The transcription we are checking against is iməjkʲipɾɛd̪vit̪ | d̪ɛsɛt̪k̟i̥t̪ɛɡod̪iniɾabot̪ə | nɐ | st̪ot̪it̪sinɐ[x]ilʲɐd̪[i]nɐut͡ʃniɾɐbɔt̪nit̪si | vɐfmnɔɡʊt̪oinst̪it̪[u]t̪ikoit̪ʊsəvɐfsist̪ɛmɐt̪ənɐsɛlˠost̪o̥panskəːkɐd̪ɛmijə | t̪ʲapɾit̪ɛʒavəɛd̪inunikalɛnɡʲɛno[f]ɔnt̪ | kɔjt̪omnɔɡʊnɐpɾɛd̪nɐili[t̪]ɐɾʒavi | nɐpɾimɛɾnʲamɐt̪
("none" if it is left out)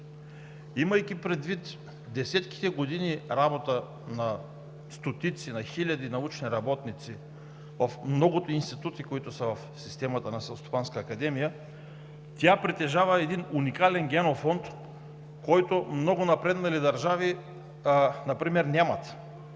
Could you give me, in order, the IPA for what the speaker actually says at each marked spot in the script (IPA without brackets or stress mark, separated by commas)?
x, i, u, f, d̪